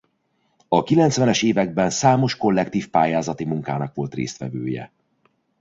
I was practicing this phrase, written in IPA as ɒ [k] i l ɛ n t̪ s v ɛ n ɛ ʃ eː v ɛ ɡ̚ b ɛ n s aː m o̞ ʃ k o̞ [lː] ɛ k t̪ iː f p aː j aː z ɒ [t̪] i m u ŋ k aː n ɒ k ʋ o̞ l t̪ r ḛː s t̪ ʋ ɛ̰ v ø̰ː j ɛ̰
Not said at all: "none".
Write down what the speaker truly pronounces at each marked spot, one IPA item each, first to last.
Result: k, lː, t̪

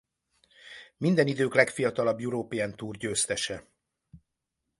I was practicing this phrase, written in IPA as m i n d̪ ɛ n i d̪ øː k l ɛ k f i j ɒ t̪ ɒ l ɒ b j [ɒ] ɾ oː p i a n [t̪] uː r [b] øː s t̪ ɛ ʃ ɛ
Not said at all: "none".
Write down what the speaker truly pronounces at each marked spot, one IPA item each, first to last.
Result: u, t̪, ɟ

